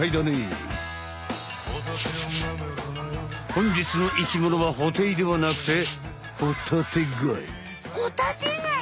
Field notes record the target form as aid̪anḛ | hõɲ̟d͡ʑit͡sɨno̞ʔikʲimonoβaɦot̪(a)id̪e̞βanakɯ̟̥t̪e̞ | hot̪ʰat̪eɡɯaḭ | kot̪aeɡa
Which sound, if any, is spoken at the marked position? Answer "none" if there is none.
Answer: e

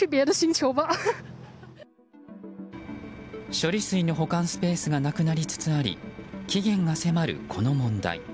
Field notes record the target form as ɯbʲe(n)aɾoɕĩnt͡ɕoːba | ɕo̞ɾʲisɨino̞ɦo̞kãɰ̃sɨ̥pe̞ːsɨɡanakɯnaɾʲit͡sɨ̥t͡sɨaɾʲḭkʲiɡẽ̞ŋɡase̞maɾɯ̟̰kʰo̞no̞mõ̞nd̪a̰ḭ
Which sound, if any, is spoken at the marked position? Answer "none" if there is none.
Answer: none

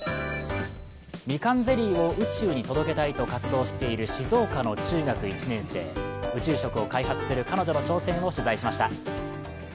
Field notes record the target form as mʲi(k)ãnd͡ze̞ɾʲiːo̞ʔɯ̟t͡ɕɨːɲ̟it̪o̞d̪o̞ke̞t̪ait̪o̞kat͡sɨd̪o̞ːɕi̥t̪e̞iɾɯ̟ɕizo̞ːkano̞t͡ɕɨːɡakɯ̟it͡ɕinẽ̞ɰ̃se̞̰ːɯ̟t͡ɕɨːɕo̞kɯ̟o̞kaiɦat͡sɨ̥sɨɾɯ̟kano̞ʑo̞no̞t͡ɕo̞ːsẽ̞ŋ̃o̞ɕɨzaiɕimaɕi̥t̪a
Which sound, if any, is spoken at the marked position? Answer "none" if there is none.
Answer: k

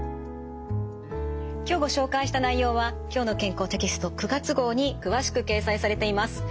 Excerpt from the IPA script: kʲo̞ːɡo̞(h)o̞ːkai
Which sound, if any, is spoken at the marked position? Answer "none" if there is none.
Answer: ɕ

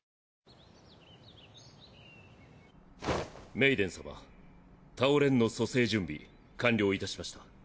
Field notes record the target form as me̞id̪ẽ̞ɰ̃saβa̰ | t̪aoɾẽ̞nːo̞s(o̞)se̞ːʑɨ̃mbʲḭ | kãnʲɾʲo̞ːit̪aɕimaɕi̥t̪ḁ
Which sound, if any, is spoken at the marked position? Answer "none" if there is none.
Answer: o̞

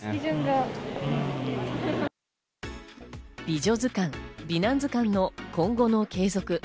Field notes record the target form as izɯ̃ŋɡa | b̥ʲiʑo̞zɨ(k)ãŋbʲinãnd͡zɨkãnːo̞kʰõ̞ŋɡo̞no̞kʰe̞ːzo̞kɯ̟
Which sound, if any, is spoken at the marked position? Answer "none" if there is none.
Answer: k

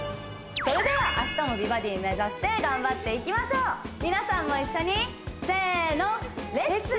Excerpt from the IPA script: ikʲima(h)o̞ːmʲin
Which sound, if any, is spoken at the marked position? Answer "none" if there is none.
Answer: ɕ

